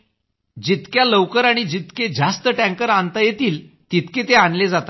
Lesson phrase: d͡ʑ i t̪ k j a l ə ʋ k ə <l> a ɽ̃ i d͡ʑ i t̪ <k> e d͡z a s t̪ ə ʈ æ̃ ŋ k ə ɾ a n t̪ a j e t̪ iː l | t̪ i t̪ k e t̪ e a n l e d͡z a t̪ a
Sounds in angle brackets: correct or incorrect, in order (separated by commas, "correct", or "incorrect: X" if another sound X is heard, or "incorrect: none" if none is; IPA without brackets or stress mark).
incorrect: ɾ, correct